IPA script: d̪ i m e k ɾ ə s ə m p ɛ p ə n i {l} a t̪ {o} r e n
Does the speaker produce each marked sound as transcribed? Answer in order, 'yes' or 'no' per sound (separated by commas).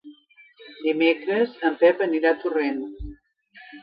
no, no